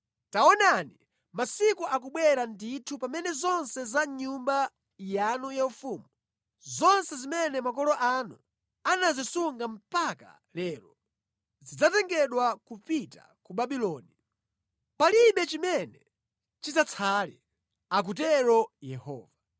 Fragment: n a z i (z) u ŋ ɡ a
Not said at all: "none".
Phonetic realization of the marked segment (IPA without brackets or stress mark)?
s